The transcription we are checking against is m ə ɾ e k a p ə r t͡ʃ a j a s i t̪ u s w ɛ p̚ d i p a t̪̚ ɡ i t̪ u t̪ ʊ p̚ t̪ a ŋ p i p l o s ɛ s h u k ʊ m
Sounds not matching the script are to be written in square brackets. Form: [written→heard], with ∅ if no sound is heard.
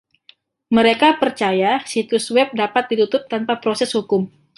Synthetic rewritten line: m ə ɾ e k a p ə r t͡ʃ a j a s i t̪ u s w ɛ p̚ d [i→a] p a t̪̚ [ɡ→d] i t̪ u t̪ ʊ p̚ t̪ a [ŋ→n] p [i→a] p [l→ɾ] o s ɛ s h u k ʊ m